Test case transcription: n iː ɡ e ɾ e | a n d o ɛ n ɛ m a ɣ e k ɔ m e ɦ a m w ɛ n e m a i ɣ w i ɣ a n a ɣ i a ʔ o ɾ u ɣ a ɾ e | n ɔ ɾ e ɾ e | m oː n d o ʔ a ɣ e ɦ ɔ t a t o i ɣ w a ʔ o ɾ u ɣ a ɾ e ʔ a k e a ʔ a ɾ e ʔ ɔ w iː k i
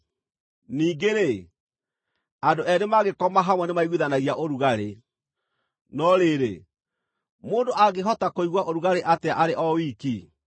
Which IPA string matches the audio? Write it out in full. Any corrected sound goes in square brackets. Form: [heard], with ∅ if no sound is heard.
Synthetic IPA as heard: n iː ɡ e ɾ e | a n d o ɛ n [e] m a ɣ e k ɔ m [a] ɦ a m w ɛ n e m a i ɣ w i [ð] a n a ɣ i a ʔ o ɾ u ɣ a ɾ e | n ɔ ɾ e ɾ e | m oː n d o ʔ a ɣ e ɦ ɔ t a [k] o i ɣ w a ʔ o ɾ u ɣ a ɾ e ʔ a [t] e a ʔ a ɾ e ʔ ɔ w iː k i